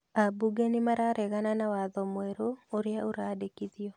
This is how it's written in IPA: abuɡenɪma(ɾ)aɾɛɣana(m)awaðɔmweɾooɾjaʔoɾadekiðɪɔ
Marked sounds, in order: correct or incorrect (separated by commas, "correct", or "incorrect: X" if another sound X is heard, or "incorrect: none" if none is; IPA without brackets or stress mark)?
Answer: correct, incorrect: n